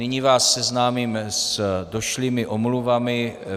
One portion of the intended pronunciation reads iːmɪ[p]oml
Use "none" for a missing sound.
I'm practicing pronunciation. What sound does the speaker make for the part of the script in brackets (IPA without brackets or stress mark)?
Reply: ʔ